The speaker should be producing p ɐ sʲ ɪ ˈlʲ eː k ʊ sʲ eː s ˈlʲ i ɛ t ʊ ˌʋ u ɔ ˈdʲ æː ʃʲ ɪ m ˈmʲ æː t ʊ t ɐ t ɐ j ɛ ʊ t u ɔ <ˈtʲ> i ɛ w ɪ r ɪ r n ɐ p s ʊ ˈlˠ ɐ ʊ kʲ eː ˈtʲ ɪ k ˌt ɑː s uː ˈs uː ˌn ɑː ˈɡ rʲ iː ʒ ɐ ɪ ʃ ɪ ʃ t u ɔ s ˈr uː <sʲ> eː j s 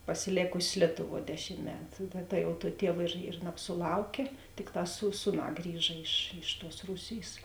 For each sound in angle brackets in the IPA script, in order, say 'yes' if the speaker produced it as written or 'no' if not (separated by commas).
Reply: yes, yes